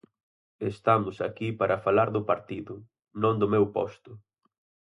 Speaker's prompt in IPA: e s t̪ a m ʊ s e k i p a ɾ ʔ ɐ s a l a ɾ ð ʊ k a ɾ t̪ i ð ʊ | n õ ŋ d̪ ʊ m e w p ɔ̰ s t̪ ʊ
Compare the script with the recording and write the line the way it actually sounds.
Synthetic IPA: e s t̪ a m ʊ s a k i p a ɾ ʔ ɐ f a l a ɾ ð ʊ p a ɾ t̪ i ð ʊ | n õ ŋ d̪ ʊ m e w p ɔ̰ s t̪ ʊ